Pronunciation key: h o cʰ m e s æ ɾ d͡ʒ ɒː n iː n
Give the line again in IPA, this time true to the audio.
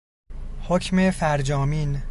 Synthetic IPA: h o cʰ m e f æ ɾ d͡ʒ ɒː m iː n